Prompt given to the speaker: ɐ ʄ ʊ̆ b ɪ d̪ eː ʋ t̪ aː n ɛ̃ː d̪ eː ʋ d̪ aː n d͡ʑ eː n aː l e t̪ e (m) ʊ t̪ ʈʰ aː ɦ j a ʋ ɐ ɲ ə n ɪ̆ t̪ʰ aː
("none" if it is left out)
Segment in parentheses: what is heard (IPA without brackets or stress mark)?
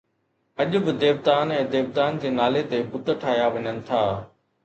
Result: b